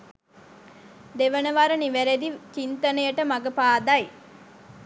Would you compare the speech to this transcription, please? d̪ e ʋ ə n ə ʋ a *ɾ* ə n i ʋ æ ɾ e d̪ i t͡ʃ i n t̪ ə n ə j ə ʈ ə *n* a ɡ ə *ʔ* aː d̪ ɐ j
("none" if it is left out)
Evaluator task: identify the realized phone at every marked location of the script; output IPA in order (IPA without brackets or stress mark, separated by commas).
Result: ɾ, m, p